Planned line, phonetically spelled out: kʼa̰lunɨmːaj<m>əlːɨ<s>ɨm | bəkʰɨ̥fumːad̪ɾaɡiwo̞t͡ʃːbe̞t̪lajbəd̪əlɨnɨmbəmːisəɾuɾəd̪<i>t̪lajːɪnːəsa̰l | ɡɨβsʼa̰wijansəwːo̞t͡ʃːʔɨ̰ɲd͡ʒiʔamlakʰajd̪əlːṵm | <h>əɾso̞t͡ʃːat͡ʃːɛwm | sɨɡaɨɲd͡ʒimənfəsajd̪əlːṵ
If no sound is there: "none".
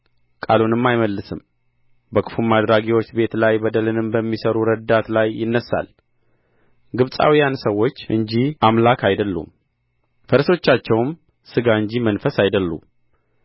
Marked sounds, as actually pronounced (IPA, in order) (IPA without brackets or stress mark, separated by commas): m, s, a, f